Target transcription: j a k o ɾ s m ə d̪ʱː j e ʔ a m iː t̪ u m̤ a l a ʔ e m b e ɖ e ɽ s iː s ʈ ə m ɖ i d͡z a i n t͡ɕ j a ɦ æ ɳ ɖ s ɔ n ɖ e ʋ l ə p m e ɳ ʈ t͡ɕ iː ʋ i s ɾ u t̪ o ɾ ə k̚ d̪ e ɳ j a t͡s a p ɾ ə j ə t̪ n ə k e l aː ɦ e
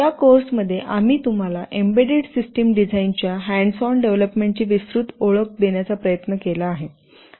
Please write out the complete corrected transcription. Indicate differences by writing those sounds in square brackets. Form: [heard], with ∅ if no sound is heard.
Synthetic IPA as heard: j a k o ɾ s m ə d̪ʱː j e ʔ a m iː t̪ u m̤ a l a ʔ e m b e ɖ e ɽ s [i] s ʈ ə m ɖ i d͡z a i n t͡ɕ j a ɦ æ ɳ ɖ s ɔ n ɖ e ʋ l ə p m e ɳ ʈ t͡ɕ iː ʋ i s ɾ u t̪ o [ɭ] ə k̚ d̪ e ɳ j a t͡s a p ɾ ə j ə t̪ n ə k e l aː ɦ e

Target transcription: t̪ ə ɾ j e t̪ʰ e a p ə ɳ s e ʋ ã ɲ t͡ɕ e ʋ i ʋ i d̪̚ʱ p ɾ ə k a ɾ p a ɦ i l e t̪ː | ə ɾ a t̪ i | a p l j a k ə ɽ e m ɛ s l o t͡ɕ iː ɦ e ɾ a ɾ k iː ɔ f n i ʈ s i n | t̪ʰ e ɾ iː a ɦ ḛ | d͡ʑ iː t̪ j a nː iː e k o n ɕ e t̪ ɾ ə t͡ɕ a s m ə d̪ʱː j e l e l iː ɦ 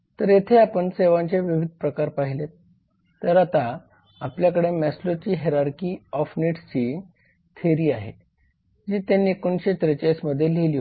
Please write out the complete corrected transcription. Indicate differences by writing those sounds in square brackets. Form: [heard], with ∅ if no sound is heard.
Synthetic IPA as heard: t̪ ə ɾ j e t̪ʰ e a p ə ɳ s e ʋ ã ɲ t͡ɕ e ʋ i ʋ i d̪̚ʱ p ɾ ə k a ɾ p a ɦ i l e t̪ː | ə ɾ a t̪ [a] | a p l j a k ə ɽ e m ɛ s l o t͡ɕ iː ɦ e ɾ a ɾ k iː ɔ f n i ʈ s i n | t̪ʰ e ɾ iː a ɦ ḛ | d͡ʑ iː t̪ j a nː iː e k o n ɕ e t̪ ɾ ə t͡ɕ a s m ə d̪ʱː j e l e l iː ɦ

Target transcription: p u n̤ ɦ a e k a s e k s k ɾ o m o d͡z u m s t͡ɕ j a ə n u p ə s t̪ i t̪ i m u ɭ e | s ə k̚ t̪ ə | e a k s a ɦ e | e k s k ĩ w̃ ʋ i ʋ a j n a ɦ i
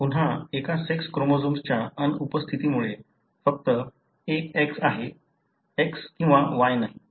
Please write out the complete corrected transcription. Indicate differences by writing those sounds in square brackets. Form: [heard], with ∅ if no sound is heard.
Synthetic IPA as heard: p u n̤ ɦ a e k a s e k s k ɾ o m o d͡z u m s t͡ɕ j a ə n u p ə s [t̪ʰ] i t̪ i m u ɭ e | [f] ə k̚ t̪ ə | e [e] k s a ɦ e | e k s k ĩ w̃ ʋ [a] ʋ a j n a ɦ i

